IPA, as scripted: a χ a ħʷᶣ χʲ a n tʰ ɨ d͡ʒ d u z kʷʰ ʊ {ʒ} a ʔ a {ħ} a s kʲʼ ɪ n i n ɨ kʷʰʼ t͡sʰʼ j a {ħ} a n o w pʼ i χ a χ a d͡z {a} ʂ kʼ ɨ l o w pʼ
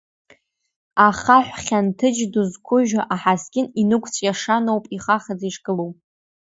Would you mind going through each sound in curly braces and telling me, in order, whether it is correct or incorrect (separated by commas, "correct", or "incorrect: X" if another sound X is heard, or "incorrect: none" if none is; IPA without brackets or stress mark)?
correct, correct, incorrect: ʂ, incorrect: i